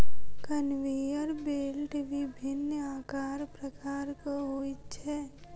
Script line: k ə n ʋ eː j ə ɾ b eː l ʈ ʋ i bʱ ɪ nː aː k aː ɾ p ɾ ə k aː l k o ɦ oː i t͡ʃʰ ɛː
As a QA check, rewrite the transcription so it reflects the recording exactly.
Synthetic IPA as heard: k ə n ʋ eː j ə ɾ b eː l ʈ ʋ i bʱ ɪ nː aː k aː ɾ p ɾ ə k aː ɾ k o ɦ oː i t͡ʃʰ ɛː